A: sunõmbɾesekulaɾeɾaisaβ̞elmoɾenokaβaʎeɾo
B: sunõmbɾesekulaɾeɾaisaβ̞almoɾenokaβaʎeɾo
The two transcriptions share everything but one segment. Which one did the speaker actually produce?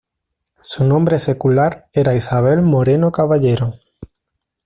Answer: A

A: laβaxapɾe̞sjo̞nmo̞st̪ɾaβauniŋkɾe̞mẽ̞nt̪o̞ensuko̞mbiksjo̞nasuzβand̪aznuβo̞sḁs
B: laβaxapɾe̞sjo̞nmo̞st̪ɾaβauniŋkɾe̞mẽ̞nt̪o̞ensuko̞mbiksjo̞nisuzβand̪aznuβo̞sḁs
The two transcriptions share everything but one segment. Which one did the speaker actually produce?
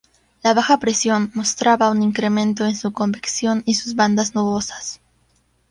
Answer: B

